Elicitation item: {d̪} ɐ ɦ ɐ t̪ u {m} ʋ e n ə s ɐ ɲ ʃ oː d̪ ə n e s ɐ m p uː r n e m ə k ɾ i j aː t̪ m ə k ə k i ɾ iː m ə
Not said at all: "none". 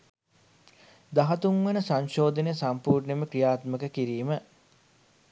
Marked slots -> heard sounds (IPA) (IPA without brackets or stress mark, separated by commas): d̪, ŋ